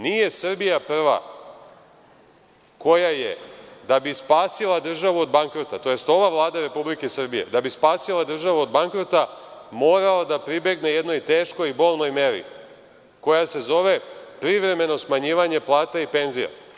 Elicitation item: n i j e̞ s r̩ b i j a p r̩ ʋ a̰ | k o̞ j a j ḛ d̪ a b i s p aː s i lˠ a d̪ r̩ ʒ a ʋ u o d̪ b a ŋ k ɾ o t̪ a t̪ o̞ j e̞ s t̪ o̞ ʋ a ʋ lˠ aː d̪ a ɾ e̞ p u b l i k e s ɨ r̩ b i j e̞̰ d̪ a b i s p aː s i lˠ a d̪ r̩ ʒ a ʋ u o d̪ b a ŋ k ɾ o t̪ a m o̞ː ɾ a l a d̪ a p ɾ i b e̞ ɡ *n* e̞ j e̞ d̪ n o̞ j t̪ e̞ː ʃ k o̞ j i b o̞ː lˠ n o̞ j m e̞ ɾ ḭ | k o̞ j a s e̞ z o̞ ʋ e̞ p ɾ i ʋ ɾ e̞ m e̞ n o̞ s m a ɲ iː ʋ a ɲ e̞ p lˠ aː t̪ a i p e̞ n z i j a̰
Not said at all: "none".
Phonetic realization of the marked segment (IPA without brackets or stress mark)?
n